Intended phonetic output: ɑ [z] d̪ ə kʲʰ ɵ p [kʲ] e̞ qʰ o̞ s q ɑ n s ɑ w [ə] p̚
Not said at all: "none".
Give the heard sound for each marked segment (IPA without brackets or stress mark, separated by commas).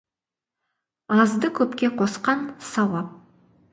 z, kʲ, ɑ